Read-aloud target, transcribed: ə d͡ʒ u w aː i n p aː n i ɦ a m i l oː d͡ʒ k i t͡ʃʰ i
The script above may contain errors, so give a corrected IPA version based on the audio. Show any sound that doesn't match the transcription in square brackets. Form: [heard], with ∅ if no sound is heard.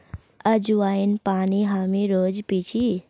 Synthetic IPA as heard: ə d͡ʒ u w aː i n p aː n i ɦ a m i [ɾ] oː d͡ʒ [p] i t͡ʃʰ i